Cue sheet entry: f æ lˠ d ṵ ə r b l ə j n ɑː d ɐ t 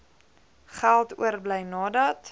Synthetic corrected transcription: χ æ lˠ t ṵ ə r b l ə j n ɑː d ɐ t